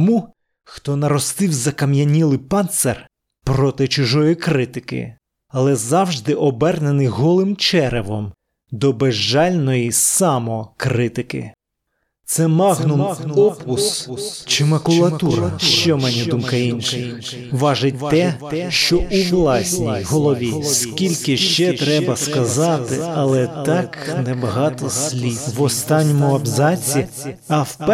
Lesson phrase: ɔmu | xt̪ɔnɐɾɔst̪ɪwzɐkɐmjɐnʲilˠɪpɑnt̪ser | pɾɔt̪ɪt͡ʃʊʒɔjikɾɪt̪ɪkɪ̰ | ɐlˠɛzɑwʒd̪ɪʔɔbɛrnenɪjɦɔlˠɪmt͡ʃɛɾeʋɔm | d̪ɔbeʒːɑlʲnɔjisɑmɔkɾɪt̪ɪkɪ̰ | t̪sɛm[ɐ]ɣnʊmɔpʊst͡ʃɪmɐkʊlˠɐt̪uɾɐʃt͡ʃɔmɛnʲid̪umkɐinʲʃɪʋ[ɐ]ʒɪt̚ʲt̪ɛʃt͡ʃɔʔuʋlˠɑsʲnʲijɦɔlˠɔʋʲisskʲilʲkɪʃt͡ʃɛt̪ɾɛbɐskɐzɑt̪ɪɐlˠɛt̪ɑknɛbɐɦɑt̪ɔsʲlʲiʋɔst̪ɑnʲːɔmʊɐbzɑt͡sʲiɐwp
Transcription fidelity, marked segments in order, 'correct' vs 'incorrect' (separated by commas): incorrect, incorrect